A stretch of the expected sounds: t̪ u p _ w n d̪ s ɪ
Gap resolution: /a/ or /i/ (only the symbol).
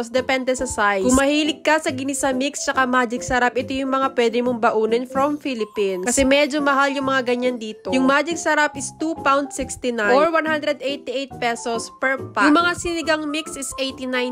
a